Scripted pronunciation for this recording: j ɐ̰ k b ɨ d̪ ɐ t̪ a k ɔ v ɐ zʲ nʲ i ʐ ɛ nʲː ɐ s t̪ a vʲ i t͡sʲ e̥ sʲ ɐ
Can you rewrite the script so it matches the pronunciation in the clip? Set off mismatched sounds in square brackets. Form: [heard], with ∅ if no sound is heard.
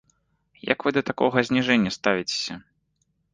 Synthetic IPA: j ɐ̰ k [v] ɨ d̪ ɐ t̪ a k ɔ [ɣ] ɐ zʲ nʲ i ʐ ɛ nʲː ɐ s t̪ a vʲ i t͡sʲ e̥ sʲ ɐ